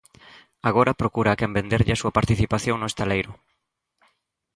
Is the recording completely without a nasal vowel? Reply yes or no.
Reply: yes